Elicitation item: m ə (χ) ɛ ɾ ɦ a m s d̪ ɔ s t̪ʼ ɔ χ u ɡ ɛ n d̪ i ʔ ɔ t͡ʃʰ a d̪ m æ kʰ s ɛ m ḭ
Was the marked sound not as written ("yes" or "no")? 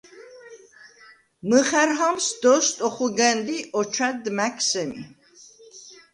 no